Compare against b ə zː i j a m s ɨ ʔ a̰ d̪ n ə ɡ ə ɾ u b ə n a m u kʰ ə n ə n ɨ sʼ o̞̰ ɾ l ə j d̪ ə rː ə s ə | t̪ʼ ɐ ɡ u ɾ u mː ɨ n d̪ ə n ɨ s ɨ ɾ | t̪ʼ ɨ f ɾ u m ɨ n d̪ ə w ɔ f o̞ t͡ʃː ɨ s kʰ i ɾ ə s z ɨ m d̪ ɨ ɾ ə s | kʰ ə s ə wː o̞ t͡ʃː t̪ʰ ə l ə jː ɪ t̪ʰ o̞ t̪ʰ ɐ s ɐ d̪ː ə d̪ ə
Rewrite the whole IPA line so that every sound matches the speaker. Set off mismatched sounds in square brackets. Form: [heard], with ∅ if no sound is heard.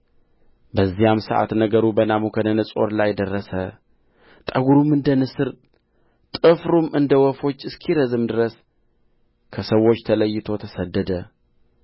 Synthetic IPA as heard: b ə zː i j a m s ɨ ʔ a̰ [t̪] n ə ɡ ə ɾ u b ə n a m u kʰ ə n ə n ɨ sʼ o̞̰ ɾ l [a] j d̪ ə rː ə s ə | t̪ʼ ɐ ɡ u ɾ u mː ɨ n d̪ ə n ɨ s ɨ ɾ | t̪ʼ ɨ f ɾ u m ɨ n d̪ ə w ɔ f o̞ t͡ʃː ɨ s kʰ i ɾ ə [∅] z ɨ m d̪ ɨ ɾ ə s | kʰ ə s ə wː o̞ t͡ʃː t̪ʰ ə l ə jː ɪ t̪ʰ o̞ t̪ʰ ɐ s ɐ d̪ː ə d̪ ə